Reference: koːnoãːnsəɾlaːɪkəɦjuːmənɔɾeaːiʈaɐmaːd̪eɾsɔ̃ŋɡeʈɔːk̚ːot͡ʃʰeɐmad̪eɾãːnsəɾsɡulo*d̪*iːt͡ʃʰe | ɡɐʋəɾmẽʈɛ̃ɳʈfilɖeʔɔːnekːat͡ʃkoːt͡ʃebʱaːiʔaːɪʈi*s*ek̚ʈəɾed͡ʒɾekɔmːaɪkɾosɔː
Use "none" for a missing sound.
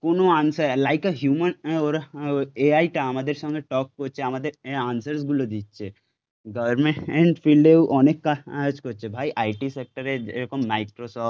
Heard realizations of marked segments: d̪, s

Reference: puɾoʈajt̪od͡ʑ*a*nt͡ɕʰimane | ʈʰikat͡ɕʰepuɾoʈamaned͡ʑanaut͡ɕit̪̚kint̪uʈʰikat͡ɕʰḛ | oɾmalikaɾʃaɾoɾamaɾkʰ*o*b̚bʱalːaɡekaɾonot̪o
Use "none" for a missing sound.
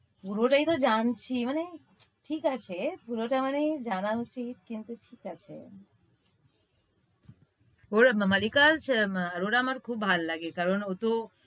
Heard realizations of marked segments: a, u

